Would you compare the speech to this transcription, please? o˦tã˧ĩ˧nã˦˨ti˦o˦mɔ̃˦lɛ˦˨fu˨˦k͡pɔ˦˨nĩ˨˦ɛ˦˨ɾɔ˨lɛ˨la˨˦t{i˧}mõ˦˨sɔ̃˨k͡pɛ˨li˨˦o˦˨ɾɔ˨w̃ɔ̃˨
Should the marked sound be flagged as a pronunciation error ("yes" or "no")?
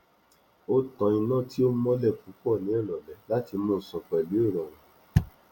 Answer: no